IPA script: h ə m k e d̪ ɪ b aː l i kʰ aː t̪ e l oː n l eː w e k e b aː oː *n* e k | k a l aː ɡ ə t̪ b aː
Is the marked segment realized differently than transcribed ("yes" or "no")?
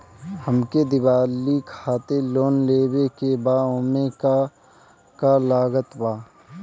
yes